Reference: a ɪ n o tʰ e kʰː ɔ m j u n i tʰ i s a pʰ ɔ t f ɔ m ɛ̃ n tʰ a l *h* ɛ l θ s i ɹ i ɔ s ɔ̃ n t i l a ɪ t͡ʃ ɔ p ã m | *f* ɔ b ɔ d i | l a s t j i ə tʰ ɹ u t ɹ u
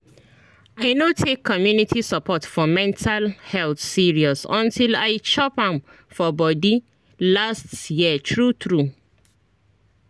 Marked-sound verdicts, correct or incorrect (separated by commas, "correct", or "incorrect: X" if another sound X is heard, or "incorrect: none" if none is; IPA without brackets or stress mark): correct, correct